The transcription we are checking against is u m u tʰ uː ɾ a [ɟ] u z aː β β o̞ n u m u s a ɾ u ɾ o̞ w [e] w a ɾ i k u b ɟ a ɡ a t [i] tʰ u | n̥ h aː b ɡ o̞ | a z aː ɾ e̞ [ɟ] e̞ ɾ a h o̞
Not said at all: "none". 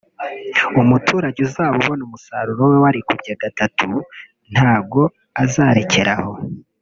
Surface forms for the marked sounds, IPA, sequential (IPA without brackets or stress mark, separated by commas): ɟ, e, a, c